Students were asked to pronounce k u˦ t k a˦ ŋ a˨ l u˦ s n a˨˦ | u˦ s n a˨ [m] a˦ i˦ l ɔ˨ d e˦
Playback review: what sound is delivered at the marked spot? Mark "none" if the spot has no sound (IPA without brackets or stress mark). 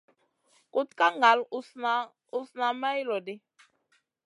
m